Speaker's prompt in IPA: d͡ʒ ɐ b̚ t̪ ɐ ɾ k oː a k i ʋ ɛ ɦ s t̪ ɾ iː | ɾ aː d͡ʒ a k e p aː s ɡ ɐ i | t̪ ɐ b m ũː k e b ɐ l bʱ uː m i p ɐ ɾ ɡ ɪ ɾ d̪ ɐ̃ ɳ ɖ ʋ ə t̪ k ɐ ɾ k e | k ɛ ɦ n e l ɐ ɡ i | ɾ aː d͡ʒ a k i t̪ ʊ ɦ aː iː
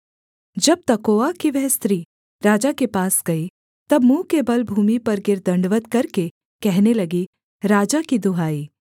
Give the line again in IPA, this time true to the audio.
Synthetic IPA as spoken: d͡ʒ ɐ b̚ t̪ ɐ k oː a k i ʋ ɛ ɦ s t̪ ɾ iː | ɾ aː d͡ʒ a k e p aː s ɡ ɐ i | t̪ ɐ b m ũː k e b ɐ l bʱ uː m i p ɐ ɾ ɡ ɪ ɾ d̪ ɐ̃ ɳ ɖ ʋ ə t̪ k ɐ ɾ k e | k ɛ ɦ n e l ɐ ɡ i | ɾ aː d͡ʒ a k i d̪ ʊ ɦ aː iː